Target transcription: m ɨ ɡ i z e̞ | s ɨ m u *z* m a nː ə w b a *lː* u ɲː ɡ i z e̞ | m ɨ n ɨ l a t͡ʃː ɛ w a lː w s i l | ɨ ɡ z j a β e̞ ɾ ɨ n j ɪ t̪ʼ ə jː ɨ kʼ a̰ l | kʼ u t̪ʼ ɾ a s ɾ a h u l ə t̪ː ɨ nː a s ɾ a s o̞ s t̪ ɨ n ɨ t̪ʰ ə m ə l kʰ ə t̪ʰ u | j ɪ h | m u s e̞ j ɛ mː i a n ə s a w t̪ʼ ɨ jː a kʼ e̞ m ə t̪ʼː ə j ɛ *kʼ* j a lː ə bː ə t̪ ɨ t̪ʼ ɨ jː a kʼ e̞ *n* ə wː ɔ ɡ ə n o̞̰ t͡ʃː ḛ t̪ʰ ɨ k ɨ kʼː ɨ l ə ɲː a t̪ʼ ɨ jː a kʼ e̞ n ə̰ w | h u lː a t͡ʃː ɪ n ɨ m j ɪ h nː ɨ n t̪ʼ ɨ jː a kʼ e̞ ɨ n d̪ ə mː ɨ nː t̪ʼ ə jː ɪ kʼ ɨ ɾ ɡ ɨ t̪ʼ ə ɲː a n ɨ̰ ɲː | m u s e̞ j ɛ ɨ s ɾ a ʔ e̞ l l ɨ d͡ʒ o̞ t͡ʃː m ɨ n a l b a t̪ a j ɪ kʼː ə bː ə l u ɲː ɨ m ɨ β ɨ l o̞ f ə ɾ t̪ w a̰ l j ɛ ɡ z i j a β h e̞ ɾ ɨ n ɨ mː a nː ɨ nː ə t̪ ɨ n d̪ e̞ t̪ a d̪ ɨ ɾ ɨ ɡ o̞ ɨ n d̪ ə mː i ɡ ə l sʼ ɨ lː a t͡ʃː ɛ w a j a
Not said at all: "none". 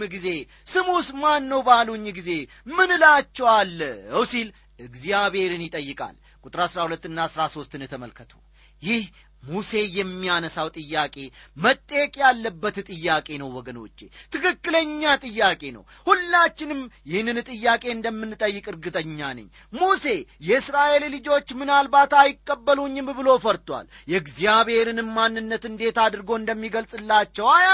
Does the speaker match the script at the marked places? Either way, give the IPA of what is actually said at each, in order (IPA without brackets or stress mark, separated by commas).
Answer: s, l, kʼ, n